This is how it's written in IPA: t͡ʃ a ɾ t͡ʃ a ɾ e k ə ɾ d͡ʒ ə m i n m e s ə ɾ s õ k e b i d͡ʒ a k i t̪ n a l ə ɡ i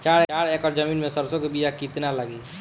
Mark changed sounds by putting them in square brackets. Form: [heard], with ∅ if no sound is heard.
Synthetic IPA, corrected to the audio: t͡ʃ a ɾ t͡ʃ a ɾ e k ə ɾ d͡ʒ ə m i n m e s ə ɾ s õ k e b i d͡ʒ a k i t̪ n a l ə ɡ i